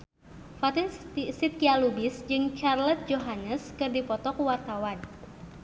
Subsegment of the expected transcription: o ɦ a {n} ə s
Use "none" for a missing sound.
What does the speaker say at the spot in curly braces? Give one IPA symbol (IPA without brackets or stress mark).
n